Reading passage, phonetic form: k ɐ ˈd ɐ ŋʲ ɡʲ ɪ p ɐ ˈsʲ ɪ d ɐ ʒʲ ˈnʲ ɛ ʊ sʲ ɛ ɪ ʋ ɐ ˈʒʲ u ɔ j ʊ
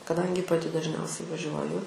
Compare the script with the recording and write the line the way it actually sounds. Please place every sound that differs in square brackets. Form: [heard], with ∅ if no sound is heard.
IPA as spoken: k ɐ ˈd ɐ ŋʲ ɡʲ ɪ p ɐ [ˈtʲ] ɪ d ɐ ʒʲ ˈnʲ ɛ ʊ sʲ ɛ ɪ ʋ ɐ ˈʒʲ u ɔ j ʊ